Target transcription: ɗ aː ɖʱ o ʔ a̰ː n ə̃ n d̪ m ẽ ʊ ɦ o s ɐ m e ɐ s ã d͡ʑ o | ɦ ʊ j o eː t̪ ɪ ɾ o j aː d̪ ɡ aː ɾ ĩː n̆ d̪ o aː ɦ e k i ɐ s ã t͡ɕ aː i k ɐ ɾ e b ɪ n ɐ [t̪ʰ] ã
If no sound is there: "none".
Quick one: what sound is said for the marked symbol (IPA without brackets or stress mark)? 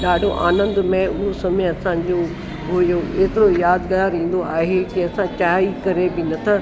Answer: t̪ʰ